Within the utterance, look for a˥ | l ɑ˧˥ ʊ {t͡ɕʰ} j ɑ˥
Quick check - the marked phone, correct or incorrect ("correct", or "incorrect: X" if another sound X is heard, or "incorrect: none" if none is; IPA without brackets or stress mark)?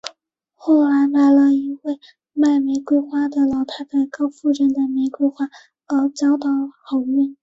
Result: incorrect: t͡ɕ